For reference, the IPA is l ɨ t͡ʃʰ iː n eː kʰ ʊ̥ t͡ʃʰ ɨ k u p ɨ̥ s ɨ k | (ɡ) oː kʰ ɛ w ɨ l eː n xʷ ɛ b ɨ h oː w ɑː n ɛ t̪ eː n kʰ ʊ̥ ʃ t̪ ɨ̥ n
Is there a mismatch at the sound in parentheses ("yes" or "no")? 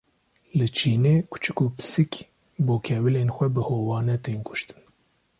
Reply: yes